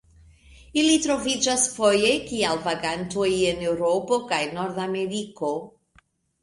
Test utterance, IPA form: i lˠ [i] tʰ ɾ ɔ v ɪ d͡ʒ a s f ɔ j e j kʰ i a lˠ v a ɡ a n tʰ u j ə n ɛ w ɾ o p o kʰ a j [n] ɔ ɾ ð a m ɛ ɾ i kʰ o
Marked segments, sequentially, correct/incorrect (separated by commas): correct, correct